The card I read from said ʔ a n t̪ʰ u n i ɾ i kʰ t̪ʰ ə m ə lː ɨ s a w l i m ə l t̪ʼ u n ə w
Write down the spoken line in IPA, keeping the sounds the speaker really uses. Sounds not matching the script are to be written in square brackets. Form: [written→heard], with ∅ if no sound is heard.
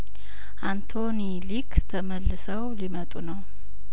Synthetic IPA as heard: ʔ a n t̪ʰ [u→o] n i [ɾ→l] i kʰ t̪ʰ ə m ə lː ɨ s [a→ə] w l i m ə [l→∅] t̪ʼ u n ə w